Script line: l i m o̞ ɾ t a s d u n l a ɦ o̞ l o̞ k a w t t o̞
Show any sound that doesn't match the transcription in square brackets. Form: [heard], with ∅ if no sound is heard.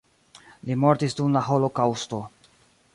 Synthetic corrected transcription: l i m o̞ ɾ t [i] s d u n l a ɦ o̞ l o̞ k a w [s] t o̞